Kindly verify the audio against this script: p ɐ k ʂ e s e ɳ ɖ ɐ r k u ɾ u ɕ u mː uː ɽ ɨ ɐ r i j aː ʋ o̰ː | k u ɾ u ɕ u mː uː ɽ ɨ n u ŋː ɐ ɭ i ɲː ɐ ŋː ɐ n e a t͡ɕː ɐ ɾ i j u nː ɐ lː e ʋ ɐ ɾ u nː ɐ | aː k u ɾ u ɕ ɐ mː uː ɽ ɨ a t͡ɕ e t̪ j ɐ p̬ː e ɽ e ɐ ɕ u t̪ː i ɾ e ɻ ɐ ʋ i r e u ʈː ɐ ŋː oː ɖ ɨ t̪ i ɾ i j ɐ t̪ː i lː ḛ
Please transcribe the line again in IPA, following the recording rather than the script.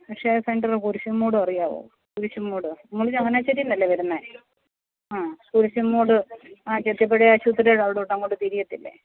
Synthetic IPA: p ɐ k ʂ e s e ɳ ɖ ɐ r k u ɾ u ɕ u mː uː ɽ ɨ ɐ r i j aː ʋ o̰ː | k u ɾ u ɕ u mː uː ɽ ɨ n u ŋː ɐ ɭ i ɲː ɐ ŋː ɐ n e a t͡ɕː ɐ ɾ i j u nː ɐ lː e ʋ ɐ ɾ u nː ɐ | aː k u ɾ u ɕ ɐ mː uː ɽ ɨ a t͡ɕ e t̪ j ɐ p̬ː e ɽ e ɐ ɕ u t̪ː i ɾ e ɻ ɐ ʋ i ɽ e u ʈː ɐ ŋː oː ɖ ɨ t̪ i ɾ i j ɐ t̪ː i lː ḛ

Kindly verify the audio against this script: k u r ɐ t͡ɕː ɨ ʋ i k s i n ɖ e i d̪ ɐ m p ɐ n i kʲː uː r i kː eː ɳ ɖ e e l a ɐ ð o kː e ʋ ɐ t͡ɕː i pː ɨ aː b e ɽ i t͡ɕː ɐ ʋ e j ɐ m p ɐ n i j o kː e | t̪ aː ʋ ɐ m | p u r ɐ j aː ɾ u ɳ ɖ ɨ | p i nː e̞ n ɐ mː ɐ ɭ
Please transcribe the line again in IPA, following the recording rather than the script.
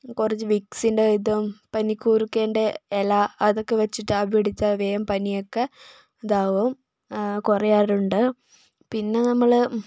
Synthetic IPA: k u r ɐ t͡ɕː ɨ ʋ i k s i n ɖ e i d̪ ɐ m p ɐ n i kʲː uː r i kː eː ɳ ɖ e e l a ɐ ð o kː e ʋ ɐ t͡ɕː i ʈː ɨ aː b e ɽ i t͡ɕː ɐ ʋ e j ɐ m p ɐ n i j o kː e | d̪ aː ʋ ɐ m | k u r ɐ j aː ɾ u ɳ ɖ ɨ | p i nː e̞ n ɐ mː ɐ ɭ

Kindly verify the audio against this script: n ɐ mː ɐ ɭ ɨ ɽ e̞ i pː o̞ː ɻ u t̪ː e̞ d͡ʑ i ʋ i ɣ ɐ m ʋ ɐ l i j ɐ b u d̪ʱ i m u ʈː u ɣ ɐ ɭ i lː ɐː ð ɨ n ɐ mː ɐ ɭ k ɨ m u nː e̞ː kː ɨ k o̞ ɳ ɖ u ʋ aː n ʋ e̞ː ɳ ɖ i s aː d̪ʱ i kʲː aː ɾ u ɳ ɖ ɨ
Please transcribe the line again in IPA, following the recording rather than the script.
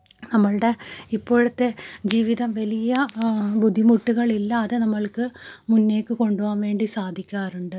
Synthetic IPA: n ɐ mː ɐ ɭ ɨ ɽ e̞ i pː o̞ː ɻ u t̪ː e̞ d͡ʑ iː ʋ i ð ɐ m ʋ ɐ l i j ɐ b u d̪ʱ i m u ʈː u ɣ ɐ ɭ i lː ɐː ð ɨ n ɐ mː ɐ ɭ k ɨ m u nː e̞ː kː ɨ k o̞ ɳ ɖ u ʋ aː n ʋ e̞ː ɳ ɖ i s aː d̪ʱ i kʲː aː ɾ u ɳ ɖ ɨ

